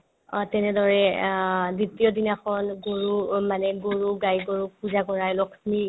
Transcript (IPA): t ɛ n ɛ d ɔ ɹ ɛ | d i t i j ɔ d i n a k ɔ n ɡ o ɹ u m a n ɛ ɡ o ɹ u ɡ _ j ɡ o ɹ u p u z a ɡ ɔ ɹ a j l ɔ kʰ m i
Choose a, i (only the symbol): a